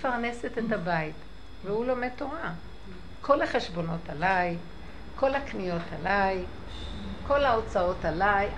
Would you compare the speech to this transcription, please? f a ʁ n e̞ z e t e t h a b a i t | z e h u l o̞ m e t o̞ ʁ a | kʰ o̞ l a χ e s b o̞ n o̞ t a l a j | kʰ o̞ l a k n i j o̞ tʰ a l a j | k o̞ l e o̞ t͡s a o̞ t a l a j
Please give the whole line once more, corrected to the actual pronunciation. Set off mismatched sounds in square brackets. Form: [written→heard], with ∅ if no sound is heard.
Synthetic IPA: f a ʁ n e̞ [z→s] e t e t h a b a i t | [z→v] e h u l o̞ m e t o̞ ʁ a | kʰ o̞ l a χ e [s→ʃ] b o̞ n o̞ t a l a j | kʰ o̞ l a k n i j o̞ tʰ a l a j | k o̞ l [e→a] o̞ t͡s a o̞ t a l a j